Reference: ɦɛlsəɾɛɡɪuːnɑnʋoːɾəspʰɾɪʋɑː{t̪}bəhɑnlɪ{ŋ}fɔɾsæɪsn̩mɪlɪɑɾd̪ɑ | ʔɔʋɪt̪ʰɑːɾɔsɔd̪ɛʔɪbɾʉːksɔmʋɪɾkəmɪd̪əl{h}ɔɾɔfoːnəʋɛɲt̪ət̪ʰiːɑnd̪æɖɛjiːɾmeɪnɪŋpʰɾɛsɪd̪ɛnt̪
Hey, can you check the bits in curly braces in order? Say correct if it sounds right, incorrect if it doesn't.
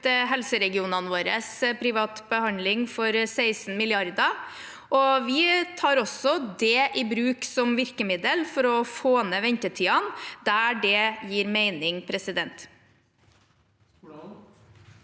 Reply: correct, correct, incorrect

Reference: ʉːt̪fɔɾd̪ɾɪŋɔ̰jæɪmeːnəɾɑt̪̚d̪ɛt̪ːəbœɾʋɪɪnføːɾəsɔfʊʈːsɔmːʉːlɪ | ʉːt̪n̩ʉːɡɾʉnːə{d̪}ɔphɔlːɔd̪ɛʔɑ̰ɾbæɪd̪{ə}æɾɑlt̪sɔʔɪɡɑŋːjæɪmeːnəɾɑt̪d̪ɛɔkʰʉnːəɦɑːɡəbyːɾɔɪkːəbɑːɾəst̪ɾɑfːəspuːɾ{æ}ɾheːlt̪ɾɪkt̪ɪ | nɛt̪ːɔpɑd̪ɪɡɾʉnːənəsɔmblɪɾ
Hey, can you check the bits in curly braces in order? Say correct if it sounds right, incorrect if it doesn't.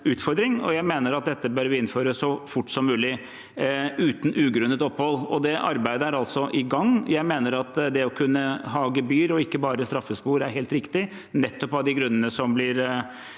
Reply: incorrect, correct, correct

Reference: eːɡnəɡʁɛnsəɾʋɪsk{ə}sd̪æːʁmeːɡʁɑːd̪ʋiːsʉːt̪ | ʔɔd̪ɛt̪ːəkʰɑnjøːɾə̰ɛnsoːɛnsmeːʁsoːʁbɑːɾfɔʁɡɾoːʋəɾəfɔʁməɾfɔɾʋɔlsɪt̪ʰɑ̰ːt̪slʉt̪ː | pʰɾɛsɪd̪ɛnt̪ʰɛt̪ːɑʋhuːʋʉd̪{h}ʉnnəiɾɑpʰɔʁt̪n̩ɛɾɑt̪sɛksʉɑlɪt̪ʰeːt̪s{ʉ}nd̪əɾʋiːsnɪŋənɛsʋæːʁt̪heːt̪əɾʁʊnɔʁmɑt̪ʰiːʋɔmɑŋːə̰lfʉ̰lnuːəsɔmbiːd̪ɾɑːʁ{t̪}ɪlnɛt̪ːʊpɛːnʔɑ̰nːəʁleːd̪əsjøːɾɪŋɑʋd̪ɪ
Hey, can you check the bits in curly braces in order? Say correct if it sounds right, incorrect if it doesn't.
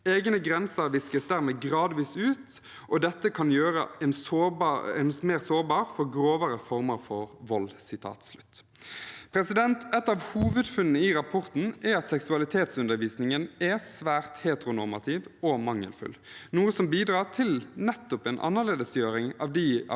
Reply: correct, incorrect, correct, incorrect

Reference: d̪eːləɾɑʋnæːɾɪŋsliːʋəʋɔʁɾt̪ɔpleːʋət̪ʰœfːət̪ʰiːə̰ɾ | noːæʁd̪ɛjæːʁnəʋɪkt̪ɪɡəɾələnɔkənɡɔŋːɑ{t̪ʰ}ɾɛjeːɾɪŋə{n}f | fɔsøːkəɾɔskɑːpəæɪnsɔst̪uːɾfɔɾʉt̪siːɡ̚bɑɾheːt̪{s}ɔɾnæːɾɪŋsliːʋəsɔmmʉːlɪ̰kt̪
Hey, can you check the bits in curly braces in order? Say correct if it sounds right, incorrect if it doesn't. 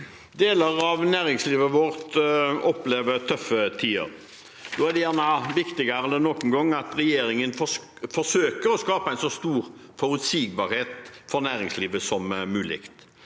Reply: incorrect, correct, incorrect

